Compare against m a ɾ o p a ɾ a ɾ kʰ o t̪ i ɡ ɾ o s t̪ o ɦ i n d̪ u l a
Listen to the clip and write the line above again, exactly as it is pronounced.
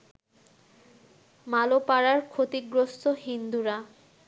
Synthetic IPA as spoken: m a l o p a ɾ a ɾ kʰ o t̪ i ɡ ɾ o s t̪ o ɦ i n d̪ u ɾ a